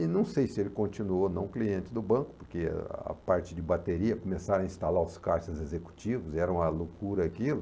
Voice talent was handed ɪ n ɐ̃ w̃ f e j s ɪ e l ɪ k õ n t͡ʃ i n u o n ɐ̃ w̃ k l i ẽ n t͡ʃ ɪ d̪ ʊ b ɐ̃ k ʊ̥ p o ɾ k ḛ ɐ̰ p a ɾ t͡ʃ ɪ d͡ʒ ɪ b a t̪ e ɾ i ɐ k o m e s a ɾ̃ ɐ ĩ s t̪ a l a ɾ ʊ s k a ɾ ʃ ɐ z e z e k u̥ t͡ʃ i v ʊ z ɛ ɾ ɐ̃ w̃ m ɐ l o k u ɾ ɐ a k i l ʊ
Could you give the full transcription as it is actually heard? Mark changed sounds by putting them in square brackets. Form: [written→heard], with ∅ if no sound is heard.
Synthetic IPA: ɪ n ɐ̃ w̃ [f→s] e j s ɪ e l ɪ k õ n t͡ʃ i n u o n ɐ̃ w̃ k l i ẽ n t͡ʃ ɪ d̪ ʊ b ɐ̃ k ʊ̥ p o ɾ k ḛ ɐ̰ p a ɾ t͡ʃ ɪ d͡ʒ ɪ b a t̪ e ɾ i ɐ k o m e s a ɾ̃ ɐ ĩ s t̪ a l a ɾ ʊ s k a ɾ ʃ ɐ z e z e k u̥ t͡ʃ i v ʊ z ɛ ɾ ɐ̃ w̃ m ɐ l o k u ɾ ɐ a k i l ʊ